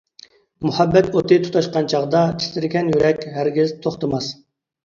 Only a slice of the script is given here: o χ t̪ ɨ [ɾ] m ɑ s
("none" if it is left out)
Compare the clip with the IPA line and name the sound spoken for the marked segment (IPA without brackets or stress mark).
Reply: none